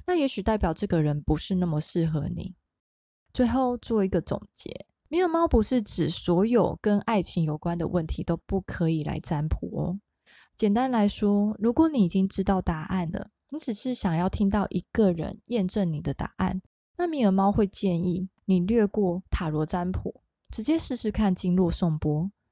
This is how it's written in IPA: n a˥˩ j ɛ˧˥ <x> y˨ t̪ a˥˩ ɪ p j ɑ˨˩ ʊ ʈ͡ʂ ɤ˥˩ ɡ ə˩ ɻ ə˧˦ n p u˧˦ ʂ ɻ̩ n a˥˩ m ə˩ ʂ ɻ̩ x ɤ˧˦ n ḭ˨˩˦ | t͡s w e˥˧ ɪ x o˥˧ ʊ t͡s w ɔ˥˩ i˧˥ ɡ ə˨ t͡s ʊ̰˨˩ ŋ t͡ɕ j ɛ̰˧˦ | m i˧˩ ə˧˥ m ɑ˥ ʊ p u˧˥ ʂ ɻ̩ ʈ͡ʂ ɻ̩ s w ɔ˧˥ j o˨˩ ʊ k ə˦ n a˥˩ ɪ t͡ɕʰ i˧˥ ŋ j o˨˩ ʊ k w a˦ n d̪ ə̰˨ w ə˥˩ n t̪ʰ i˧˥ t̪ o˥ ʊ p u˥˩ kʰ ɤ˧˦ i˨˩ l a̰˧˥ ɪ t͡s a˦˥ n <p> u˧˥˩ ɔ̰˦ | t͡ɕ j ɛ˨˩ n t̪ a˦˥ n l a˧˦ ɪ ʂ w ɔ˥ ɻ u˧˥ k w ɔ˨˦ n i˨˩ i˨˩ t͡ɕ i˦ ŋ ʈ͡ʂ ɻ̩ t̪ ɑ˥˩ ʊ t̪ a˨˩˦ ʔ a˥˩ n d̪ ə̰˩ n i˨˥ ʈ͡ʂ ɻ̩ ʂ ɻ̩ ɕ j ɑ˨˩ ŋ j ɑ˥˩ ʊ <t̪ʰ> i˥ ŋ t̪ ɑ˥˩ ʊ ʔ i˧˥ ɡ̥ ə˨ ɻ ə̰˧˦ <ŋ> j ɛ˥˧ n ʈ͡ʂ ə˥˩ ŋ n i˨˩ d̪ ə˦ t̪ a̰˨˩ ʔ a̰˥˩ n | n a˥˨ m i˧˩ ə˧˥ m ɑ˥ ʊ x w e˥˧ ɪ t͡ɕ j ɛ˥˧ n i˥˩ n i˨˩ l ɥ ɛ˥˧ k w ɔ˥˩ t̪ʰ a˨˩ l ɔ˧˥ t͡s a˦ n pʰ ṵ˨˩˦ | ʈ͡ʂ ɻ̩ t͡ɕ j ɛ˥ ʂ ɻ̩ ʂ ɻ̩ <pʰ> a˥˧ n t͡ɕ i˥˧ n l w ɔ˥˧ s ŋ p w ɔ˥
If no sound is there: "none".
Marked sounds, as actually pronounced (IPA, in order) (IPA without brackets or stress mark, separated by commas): ɕ, pʰ, t̪ʰ, n, kʰ